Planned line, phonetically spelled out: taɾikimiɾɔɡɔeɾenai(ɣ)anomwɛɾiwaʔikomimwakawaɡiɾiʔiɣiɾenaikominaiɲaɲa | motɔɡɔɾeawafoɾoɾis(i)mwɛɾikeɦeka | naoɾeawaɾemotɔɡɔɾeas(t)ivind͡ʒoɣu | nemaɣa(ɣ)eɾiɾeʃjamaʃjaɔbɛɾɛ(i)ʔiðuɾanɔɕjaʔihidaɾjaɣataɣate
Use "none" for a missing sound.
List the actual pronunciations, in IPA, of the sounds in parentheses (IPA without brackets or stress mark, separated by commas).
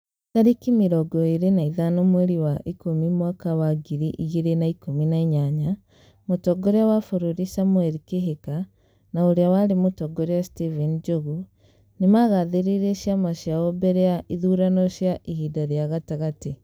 ð, a, t, ð, a